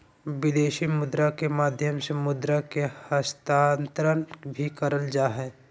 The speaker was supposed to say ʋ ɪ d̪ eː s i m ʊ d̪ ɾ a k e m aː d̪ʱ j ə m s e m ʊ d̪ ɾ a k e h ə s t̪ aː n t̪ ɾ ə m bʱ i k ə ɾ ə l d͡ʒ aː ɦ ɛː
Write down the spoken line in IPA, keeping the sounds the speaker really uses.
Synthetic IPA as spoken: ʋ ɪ d̪ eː ʃ i m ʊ d̪ ɾ a k e m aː d̪ʱ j ə m s e m ʊ d̪ ɾ a k e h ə s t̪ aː n t̪ ɾ ə n bʱ i k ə ɾ ə l d͡ʒ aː ɦ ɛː

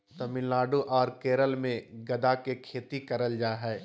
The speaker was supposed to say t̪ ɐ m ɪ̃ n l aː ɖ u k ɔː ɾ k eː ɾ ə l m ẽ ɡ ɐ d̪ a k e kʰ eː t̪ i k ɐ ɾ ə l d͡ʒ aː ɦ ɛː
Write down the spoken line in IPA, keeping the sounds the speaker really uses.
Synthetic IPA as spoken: t̪ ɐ m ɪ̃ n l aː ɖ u ʔ ɔː ɾ k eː ɾ ə l m ẽ ɡ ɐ d̪ a k e kʰ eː t̪ i k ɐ ɾ ə l d͡ʒ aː ɦ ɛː

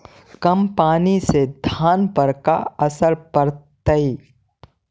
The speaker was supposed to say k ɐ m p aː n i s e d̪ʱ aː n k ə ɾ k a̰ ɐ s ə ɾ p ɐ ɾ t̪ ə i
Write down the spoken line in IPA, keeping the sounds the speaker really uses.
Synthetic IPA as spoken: k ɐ m p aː n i s e d̪ʱ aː n p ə ɾ k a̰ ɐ s ə ɾ p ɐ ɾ t̪ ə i

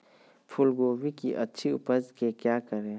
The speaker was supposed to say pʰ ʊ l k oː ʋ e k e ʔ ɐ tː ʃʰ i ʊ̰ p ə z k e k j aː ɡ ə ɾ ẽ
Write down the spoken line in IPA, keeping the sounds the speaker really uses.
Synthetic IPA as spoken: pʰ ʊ l ɡ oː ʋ i k i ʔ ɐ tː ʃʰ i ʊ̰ p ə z k e k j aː k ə ɾ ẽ

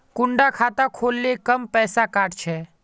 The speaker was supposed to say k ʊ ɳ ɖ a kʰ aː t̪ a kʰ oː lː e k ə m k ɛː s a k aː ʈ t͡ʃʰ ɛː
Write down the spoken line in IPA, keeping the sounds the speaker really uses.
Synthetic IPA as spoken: k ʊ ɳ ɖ a kʰ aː t̪ a kʰ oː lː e k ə m p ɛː s a k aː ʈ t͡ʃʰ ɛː

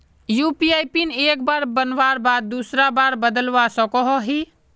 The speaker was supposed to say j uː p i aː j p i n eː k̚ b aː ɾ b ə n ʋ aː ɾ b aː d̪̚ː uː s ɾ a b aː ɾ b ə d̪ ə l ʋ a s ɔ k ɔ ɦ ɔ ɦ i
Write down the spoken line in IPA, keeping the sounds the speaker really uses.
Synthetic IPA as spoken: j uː p i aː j p i n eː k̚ b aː ɾ b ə n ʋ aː ɾ b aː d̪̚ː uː s ɾ a b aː ɾ b ə d̪ ə l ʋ a s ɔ k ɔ ɦ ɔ ɦ i

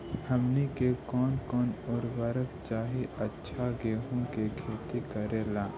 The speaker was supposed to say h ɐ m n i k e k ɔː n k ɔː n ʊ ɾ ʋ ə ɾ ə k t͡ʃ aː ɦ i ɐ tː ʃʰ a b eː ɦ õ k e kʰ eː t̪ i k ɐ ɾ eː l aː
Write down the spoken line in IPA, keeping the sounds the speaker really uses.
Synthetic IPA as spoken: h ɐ m n i k e k ɔː n k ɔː n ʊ ɾ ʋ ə ɾ ə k t͡ʃ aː ɦ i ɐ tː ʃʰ a ɡ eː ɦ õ k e kʰ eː t̪ i k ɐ ɾ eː l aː

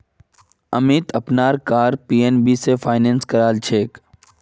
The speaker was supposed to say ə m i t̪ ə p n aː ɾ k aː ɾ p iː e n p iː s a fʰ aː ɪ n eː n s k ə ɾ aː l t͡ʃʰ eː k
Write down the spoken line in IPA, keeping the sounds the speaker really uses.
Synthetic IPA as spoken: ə m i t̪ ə p n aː ɾ k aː ɾ p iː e n b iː s e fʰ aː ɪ n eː n s k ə ɾ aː l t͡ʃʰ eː k

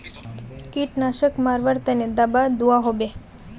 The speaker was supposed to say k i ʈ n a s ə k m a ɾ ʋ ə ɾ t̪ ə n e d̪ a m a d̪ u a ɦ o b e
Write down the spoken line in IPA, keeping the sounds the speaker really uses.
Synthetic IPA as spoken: k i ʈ n a ʃ ə k m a ɾ ʋ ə ɾ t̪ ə n e d̪ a b a d̪ u a ɦ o b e

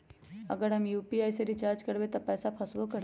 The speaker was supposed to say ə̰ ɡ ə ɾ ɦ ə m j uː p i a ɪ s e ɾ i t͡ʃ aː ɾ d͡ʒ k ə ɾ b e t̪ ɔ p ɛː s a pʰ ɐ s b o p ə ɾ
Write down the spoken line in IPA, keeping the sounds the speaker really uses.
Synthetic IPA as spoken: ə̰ ɡ ə ɾ ɦ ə m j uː p i a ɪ s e ɾ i t͡ʃ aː ɾ d͡ʒ k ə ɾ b e t̪ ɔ p ɛː s a pʰ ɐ s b o k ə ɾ

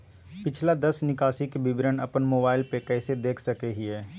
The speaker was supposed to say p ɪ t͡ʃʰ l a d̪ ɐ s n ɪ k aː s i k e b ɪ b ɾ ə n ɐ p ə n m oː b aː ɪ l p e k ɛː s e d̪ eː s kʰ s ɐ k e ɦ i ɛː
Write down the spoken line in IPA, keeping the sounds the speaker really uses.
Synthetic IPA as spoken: p ɪ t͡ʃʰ l a d̪ ɐ s n ɪ k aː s i k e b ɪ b ɾ ə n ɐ p ə n m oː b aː ɪ l p e k ɛː s e d̪ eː kʰ s ɐ k e ɦ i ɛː

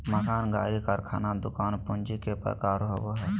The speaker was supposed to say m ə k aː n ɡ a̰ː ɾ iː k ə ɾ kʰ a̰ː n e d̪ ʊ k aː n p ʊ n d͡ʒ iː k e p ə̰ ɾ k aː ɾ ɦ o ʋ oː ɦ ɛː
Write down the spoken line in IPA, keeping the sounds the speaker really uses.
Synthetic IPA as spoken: m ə k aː n ɡ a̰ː ɾ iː k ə ɾ kʰ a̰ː n a d̪ ʊ k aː n p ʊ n d͡ʒ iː k e p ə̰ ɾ k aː ɾ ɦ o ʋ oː ɦ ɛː

